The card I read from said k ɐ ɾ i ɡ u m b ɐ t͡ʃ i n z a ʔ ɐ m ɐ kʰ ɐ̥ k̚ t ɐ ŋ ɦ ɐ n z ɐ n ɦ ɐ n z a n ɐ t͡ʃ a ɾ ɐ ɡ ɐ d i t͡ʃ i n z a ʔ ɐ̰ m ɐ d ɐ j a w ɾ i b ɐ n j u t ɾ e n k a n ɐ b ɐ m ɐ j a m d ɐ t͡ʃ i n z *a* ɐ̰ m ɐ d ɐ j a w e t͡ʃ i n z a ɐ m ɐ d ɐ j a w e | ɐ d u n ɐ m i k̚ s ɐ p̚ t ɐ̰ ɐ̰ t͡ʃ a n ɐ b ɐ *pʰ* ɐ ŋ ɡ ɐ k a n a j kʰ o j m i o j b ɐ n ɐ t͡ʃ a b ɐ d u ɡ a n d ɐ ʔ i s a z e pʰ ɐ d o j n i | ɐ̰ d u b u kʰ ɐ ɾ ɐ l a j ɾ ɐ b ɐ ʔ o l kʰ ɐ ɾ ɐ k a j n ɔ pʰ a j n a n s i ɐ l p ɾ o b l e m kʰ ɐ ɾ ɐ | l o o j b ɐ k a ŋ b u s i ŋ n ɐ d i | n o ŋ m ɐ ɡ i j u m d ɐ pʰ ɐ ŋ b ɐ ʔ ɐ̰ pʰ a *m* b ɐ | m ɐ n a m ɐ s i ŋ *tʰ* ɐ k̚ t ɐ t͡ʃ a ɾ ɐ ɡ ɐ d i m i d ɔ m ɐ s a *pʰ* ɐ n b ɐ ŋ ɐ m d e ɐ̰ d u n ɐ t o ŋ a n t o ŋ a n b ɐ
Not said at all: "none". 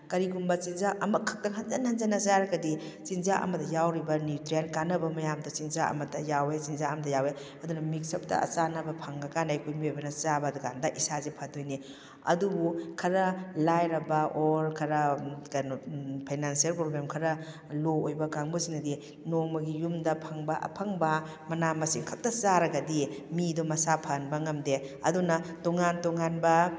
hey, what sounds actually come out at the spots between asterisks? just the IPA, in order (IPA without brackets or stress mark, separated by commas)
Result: a, pʰ, ŋ, kʰ, pʰ